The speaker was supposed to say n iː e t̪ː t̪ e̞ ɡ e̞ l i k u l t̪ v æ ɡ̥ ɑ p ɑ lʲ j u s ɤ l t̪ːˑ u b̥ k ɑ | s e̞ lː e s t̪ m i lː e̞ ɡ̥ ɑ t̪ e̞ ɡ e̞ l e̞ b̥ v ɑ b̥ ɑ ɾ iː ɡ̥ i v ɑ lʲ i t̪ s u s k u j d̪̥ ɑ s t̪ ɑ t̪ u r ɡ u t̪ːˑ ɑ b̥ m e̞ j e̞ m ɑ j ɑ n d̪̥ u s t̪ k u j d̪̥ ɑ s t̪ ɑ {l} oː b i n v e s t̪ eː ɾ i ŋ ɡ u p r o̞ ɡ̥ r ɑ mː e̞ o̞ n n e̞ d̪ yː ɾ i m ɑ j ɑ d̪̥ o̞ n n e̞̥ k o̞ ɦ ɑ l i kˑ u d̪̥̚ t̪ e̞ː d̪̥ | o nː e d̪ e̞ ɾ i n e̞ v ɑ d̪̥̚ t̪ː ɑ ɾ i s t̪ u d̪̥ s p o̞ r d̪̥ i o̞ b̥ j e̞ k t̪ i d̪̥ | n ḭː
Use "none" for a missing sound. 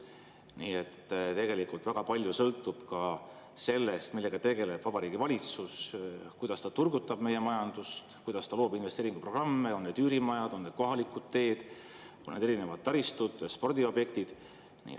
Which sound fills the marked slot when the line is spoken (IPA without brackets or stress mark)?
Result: l